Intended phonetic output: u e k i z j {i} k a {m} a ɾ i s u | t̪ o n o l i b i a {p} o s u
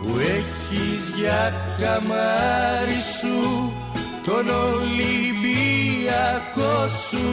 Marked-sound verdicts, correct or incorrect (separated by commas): incorrect, correct, incorrect